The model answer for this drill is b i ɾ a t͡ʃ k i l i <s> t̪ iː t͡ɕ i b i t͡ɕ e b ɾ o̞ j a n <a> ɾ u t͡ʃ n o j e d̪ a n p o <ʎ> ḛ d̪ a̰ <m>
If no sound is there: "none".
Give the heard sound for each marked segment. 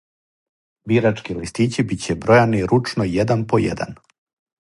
s, i, j, n

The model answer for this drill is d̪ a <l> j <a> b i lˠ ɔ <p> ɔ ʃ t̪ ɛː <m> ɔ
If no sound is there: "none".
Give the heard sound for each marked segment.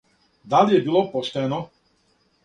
l, ɛ, p, n

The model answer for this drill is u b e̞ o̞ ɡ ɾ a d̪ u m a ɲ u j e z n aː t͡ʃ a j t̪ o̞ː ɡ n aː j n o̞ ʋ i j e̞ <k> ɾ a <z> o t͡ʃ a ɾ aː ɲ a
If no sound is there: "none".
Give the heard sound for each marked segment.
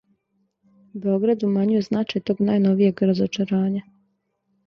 ɡ, z

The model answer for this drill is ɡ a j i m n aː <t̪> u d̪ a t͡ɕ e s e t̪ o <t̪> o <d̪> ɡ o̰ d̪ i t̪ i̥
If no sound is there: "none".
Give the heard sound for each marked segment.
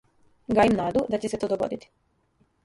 d̪, d̪, none

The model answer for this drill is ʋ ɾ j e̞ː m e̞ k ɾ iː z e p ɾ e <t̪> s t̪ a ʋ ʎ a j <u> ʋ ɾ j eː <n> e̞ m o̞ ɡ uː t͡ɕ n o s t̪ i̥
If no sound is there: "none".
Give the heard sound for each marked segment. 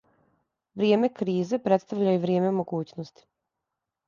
t̪, u, m

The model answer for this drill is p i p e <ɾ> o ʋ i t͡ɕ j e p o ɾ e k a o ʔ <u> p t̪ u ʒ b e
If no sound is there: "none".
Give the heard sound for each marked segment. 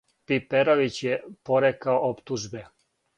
ɾ, o

